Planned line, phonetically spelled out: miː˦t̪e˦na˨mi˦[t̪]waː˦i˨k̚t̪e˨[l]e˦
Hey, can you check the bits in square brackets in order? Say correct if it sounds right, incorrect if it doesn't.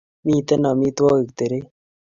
correct, incorrect

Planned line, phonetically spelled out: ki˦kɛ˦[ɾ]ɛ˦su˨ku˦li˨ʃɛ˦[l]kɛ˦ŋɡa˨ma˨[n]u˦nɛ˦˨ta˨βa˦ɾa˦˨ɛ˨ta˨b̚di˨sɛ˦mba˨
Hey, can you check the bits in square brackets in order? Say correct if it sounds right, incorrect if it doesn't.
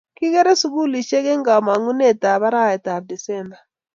correct, incorrect, incorrect

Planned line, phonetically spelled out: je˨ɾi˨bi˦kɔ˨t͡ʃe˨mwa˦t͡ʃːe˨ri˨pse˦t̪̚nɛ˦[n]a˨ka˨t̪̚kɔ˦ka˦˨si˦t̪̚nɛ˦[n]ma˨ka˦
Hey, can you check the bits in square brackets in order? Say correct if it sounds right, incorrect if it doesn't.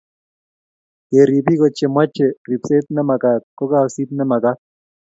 incorrect, incorrect

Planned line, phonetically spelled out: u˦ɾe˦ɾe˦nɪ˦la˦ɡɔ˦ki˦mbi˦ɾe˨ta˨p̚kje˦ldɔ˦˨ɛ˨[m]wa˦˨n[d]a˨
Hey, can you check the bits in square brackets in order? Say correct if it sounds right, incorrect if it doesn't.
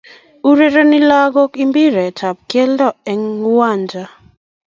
incorrect, incorrect

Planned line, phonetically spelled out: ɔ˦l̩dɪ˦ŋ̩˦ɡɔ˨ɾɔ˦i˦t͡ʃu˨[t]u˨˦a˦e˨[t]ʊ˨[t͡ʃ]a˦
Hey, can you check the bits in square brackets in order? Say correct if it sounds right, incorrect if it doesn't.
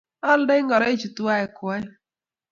correct, incorrect, incorrect

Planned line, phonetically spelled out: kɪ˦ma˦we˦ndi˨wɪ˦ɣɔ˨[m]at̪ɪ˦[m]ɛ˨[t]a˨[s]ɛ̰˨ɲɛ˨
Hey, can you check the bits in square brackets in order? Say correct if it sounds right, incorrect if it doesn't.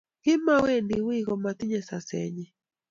correct, incorrect, incorrect, correct

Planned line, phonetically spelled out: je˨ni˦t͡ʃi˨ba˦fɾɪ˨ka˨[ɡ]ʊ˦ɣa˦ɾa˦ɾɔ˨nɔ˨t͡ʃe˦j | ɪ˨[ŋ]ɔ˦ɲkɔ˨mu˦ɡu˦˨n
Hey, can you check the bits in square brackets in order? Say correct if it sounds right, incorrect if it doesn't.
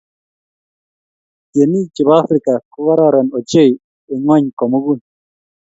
incorrect, correct

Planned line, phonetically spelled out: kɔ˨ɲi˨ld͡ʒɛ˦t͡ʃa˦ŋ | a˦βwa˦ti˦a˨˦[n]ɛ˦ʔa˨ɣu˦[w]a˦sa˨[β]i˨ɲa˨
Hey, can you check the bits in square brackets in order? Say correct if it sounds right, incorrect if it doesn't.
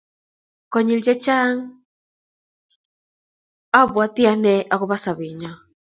correct, incorrect, correct

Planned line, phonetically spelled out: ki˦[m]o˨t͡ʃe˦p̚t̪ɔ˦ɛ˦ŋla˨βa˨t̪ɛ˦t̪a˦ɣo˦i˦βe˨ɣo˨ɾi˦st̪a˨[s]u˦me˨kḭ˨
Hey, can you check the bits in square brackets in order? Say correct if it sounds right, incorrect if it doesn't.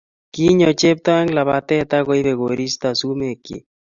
incorrect, correct

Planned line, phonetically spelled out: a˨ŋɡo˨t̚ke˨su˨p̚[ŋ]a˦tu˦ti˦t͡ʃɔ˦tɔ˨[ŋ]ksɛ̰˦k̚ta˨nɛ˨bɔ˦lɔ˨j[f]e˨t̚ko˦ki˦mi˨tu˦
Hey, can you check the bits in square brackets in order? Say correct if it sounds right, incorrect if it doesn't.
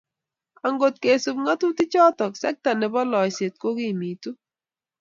correct, incorrect, incorrect

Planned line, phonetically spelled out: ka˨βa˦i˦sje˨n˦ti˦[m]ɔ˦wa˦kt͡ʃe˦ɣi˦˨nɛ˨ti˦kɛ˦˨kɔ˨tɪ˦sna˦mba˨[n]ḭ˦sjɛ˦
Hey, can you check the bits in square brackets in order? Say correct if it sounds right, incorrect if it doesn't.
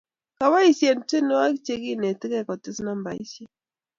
incorrect, incorrect

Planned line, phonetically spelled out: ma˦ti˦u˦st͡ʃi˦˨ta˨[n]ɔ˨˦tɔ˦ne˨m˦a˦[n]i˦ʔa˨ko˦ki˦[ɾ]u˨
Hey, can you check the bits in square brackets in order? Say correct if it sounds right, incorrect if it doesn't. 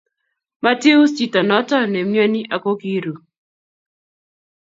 correct, correct, correct

